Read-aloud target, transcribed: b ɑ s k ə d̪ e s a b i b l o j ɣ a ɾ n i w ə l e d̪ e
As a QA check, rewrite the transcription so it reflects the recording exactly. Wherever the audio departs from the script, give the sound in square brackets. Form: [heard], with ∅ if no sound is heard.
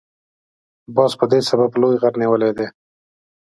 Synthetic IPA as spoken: b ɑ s [p] ə d̪ e s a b [a] b l o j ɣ a ɾ n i w ə l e d̪ e